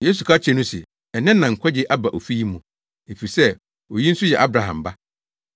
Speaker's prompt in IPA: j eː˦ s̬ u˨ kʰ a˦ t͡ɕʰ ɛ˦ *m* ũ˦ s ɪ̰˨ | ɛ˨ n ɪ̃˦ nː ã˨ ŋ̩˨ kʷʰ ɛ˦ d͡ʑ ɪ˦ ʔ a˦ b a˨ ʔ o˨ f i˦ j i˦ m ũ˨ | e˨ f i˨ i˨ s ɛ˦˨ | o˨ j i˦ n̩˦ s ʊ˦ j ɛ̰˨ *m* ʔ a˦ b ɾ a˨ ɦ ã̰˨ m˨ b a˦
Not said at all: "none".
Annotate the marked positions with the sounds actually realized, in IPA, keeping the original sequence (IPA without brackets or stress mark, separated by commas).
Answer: n, none